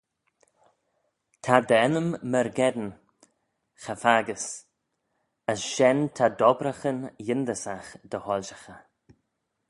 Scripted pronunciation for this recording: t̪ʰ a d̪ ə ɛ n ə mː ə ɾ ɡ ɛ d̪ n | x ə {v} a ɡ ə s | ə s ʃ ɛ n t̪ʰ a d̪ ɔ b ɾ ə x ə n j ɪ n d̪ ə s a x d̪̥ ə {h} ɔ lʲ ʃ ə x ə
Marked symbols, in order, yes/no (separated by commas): no, yes